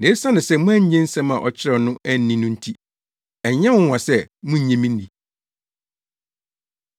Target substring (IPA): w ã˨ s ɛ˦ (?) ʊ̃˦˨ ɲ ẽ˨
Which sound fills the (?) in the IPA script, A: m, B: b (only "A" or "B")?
A